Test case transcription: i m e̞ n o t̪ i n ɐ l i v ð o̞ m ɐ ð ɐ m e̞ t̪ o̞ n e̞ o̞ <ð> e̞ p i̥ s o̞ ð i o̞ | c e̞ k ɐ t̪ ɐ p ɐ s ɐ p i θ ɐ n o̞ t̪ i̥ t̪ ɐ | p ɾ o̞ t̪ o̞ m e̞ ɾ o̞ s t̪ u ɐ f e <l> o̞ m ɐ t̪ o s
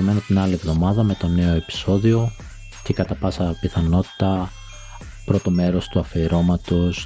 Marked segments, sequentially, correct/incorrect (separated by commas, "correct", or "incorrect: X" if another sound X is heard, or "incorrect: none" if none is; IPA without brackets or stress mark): incorrect: none, incorrect: ɾ